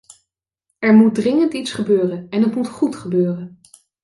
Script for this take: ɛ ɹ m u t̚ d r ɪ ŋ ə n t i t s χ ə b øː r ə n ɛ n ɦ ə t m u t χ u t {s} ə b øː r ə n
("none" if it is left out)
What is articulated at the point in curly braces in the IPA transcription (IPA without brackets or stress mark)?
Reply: χ